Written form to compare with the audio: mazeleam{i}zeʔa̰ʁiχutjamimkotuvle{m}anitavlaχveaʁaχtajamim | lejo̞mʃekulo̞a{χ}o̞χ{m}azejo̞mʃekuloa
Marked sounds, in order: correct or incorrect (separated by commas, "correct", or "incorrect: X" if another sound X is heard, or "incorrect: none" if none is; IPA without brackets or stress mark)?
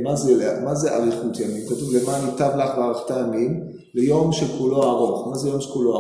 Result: incorrect: a, correct, incorrect: ʁ, correct